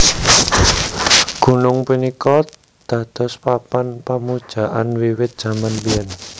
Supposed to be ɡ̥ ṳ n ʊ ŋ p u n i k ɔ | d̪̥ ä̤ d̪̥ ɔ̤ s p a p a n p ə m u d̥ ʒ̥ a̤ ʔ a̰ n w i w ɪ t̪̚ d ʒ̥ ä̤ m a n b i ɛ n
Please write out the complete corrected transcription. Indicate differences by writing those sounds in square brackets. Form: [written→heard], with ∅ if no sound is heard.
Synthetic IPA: ɡ̥ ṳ n ʊ ŋ p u n i k ɔ | d̪̥ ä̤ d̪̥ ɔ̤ s p a p a n p [ə→a] m u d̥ ʒ̥ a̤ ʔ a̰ n w i w ɪ t̪̚ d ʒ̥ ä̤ m a n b i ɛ n